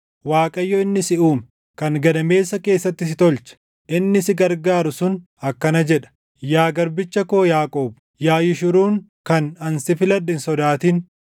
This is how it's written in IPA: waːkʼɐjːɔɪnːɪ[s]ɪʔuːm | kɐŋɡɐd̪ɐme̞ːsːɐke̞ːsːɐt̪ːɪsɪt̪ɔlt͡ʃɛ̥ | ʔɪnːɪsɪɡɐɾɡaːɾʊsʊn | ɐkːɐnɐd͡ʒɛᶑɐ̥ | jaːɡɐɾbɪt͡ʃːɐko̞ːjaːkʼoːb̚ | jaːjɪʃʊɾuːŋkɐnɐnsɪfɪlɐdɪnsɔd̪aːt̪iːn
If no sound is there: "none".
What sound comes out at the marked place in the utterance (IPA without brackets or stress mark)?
s